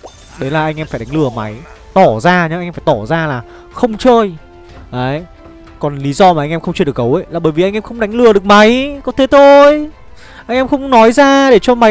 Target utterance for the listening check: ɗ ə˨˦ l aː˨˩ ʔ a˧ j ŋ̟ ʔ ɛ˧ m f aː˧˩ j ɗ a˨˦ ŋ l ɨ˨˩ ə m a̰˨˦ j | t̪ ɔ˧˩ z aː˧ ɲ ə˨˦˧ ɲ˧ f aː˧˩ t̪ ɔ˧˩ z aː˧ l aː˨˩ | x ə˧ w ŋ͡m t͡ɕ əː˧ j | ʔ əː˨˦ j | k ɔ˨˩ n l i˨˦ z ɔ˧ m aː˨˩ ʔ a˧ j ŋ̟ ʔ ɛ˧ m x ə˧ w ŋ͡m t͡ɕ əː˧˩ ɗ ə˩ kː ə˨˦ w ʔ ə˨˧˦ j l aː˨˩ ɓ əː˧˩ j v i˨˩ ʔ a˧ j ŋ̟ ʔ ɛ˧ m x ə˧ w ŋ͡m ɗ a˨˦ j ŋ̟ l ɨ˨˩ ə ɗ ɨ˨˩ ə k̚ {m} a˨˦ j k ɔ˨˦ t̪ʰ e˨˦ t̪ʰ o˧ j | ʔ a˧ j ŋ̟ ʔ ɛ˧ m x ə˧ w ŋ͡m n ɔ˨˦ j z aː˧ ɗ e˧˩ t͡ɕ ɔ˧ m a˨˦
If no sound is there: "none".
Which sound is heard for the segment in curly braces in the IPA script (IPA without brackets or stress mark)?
m